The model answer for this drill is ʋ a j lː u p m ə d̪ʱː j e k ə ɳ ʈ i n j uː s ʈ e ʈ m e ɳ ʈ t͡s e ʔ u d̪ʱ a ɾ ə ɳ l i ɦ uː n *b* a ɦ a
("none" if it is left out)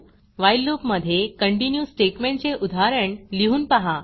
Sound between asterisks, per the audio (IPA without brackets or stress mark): p